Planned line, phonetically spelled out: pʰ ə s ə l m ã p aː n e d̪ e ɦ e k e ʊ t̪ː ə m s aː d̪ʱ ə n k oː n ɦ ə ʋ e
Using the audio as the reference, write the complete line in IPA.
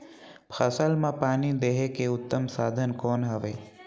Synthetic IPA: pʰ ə s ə l m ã p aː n i d̪ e ɦ e k e ʊ t̪ː ə m s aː d̪ʱ ə n k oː n ɦ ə ʋ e